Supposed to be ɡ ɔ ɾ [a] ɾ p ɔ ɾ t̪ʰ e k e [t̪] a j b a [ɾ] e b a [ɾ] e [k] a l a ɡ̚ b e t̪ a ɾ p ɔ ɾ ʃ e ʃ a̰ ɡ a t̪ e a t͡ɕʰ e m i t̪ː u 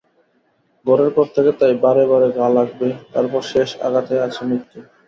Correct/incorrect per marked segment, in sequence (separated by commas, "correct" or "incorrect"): incorrect, correct, correct, correct, incorrect